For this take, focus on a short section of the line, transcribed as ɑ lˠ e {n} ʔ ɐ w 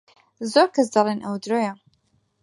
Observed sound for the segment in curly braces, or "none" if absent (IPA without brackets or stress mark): n